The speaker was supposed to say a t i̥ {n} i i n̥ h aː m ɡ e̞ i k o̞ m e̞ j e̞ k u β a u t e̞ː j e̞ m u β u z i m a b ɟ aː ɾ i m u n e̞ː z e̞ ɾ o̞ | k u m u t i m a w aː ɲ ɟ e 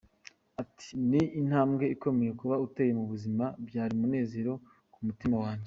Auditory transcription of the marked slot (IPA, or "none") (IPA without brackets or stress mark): n